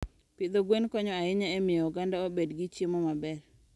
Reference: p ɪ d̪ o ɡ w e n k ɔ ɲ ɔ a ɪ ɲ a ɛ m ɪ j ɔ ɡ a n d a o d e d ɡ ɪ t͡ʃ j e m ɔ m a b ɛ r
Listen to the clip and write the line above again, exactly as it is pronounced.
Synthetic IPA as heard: p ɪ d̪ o ɡ w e n k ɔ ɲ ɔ a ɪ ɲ a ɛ m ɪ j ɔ ɡ a n d a o b e d ɡ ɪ t͡ʃ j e m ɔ m a b ɛ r